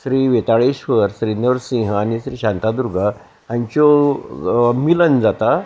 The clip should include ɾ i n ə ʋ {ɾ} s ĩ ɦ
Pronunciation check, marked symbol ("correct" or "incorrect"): correct